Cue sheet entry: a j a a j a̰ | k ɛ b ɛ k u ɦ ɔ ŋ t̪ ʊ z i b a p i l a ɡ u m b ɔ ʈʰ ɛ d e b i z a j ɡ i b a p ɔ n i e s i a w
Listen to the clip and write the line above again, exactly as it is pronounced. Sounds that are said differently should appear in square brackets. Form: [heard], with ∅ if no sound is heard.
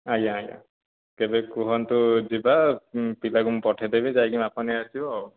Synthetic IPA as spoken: a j a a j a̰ | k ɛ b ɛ k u ɦ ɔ [n] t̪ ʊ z i b a p i l a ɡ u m [p] ɔ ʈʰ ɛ d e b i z a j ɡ i [m] a p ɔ n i [a] s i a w